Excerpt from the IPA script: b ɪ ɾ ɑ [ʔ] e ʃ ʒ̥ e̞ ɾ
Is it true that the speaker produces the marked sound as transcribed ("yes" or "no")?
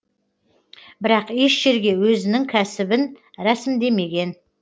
no